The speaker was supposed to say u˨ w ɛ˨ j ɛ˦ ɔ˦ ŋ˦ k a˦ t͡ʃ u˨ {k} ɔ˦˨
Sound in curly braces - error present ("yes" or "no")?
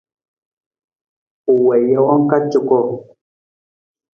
no